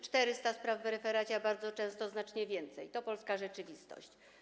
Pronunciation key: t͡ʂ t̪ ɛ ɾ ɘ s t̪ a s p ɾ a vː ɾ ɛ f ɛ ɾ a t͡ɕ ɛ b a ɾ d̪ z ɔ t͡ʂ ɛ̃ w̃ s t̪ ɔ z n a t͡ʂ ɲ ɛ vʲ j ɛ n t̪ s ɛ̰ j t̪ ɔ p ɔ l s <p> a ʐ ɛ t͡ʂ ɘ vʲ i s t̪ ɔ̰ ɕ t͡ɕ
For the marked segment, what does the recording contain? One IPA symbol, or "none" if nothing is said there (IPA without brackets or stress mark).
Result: k